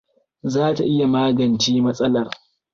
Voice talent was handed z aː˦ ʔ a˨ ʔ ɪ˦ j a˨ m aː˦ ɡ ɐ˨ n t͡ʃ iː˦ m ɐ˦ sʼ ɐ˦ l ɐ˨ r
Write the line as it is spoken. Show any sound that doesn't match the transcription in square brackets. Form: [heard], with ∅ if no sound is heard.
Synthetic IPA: z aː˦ [t] a˨ ʔ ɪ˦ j a˨ m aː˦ ɡ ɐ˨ n t͡ʃ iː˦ m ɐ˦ sʼ ɐ˦ l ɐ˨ r